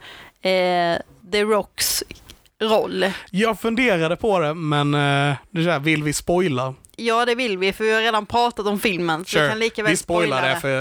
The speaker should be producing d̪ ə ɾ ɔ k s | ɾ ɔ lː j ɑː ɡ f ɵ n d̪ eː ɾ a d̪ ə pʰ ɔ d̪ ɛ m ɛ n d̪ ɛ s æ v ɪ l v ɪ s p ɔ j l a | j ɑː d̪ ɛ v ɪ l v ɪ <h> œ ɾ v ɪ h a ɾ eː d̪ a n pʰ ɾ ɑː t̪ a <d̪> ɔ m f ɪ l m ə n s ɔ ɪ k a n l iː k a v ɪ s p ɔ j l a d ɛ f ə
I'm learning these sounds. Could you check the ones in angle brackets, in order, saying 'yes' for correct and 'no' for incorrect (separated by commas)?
no, no